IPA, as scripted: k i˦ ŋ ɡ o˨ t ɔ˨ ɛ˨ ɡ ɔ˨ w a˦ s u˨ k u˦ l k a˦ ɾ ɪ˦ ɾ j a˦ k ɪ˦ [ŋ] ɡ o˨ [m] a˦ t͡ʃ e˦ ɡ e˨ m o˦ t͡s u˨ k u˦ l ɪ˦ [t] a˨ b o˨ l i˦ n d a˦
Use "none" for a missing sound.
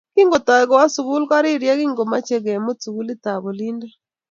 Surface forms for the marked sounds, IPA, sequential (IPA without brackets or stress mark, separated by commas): ŋ, m, t